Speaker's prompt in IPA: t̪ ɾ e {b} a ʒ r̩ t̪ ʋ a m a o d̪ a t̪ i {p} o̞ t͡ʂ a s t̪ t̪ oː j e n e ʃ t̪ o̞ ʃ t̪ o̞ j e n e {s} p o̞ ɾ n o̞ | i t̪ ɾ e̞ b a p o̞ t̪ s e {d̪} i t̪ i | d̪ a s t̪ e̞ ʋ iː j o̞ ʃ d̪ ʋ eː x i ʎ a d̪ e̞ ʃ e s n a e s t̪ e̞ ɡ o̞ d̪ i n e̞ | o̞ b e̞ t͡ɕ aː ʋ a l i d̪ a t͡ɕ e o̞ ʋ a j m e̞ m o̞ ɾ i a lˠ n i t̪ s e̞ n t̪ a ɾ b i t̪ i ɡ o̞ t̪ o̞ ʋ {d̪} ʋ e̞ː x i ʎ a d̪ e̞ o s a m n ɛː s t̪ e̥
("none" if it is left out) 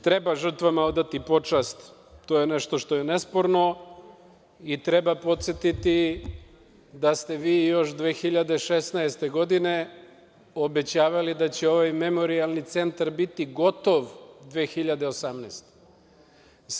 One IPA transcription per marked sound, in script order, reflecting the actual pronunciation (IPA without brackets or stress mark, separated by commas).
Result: b, p, s, t̪, d̪